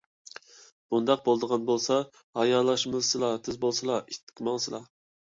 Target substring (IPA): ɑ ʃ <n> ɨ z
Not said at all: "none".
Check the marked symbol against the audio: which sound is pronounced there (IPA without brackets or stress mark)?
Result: m